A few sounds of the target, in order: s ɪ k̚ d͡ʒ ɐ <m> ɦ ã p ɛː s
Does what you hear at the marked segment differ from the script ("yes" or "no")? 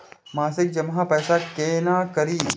no